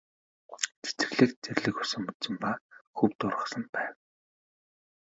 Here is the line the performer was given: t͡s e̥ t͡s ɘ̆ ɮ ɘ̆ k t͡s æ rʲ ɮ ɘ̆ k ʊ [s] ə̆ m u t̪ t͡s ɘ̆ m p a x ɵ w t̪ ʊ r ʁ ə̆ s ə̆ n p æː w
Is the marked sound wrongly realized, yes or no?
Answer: no